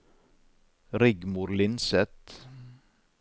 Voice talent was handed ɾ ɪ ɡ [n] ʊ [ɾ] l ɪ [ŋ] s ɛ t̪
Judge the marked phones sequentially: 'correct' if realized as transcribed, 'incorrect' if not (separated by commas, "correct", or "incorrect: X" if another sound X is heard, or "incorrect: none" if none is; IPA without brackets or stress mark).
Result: incorrect: m, correct, incorrect: n